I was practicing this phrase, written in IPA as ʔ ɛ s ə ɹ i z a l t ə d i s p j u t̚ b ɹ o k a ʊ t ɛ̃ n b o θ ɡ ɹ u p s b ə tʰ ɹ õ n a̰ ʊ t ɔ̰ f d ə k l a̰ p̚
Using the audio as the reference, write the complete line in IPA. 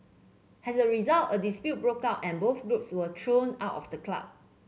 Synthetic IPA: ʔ ɛ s ə ɹ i z a l t ə d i s p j u t̚ b ɹ o k a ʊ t ɛ̃ n b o θ ɡ ɹ u p s w ə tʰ ɹ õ n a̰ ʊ t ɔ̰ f d ə k l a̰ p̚